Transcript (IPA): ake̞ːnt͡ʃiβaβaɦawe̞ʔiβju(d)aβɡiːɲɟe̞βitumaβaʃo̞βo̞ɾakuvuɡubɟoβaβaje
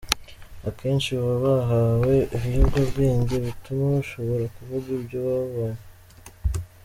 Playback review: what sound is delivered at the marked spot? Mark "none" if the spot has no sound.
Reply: ɡ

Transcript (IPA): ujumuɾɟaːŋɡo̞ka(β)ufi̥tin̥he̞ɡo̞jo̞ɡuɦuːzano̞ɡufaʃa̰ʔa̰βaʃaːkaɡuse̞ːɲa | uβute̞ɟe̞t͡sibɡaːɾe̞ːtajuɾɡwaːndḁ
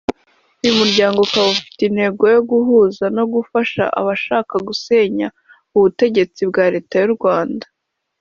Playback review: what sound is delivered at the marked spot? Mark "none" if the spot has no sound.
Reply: β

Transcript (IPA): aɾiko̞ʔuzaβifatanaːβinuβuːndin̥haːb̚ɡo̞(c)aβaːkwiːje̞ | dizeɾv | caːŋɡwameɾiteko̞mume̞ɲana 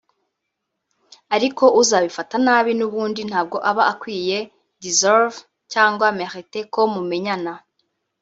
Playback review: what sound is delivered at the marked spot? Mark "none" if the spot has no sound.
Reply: ʔ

